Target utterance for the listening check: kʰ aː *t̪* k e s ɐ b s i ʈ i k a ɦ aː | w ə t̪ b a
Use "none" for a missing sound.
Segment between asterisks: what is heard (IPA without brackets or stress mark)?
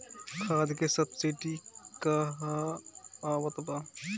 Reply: d̪